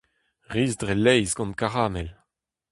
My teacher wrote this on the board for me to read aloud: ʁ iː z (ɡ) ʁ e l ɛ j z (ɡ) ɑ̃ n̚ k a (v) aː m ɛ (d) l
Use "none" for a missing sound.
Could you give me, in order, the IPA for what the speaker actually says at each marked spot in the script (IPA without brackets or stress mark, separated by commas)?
d, ɡ, ʁ, none